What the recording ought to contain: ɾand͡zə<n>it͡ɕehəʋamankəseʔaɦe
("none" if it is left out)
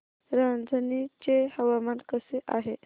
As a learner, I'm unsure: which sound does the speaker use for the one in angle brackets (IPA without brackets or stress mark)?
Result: n